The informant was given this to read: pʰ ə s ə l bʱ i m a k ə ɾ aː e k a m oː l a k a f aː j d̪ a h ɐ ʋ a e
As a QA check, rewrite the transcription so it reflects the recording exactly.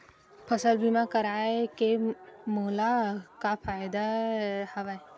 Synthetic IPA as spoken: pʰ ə s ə l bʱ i m a k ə ɾ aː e k e m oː l a k a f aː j d̪ a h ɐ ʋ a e